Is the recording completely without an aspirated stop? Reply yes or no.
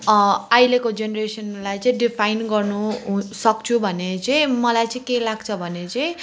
no